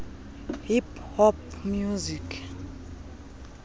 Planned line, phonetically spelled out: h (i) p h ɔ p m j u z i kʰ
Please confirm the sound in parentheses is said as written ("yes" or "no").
yes